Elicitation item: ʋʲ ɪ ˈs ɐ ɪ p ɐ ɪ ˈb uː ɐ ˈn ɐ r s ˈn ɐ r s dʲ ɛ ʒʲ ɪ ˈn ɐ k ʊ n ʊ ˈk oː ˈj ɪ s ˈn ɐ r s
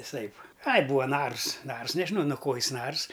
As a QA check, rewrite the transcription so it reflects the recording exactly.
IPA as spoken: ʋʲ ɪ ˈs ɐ ɪ p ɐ ɪ ˈb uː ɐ ˈn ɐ r s ˈn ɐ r s nʲ ɛ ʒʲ ɪ ˈn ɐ ʊ n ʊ ˈk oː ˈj ɪ s ˈn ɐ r s